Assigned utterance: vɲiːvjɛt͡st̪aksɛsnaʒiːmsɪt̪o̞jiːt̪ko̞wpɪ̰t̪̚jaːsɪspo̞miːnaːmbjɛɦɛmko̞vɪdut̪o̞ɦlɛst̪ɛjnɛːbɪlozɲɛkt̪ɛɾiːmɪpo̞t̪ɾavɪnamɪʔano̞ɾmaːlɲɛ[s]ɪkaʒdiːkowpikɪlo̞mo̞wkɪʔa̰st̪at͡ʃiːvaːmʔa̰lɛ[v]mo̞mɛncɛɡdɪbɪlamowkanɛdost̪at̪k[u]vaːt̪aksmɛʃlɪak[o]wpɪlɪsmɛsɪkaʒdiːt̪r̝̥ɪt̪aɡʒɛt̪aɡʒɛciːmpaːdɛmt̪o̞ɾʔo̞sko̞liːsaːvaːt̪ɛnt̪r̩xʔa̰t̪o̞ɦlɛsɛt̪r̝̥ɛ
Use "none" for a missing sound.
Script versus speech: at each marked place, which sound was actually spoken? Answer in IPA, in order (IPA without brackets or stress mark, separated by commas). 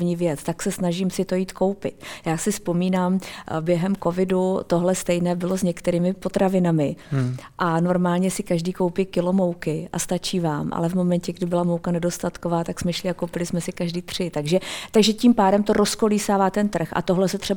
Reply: s, v, o, o